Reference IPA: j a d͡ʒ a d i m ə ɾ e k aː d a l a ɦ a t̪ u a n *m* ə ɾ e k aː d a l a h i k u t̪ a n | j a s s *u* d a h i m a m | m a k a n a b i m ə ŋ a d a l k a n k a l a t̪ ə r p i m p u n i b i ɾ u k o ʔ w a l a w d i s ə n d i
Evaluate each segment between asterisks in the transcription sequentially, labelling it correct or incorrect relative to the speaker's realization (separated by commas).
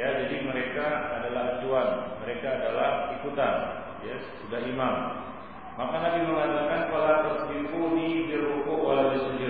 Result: correct, correct